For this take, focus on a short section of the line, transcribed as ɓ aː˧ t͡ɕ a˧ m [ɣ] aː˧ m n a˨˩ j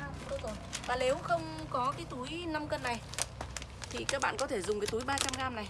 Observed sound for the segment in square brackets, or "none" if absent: ɣ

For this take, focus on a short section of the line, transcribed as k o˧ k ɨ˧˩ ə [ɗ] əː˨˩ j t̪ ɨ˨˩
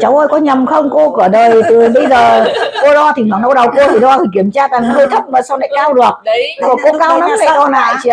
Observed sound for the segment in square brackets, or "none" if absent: ɗ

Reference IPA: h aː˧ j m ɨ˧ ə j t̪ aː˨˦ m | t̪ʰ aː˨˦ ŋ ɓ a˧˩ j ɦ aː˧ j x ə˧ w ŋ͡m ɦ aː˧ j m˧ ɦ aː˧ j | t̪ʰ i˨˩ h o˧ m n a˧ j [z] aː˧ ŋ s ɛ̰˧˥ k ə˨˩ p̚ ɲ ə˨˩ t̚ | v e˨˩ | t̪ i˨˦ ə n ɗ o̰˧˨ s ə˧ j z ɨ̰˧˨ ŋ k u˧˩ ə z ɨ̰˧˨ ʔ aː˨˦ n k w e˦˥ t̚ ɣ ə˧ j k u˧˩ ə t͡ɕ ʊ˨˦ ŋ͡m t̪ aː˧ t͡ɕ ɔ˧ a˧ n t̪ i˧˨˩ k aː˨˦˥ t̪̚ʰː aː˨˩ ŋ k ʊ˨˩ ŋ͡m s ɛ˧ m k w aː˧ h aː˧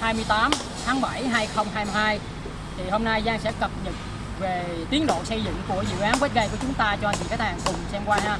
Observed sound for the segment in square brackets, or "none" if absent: z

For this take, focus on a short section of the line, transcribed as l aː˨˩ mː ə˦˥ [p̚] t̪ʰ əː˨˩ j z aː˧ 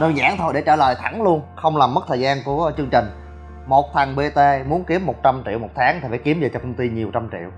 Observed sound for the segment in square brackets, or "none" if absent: t̚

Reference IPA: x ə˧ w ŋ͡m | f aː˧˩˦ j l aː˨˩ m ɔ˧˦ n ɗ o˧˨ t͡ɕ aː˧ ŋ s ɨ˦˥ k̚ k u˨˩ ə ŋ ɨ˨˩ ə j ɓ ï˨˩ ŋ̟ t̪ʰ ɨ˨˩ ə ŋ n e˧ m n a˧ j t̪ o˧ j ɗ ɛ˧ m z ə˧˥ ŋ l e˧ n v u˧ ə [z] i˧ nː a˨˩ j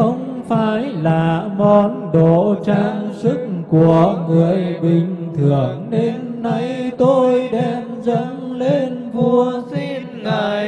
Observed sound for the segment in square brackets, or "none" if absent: s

